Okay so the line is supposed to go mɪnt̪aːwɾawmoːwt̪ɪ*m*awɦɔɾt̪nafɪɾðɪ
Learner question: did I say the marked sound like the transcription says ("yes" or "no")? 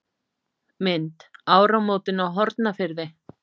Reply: no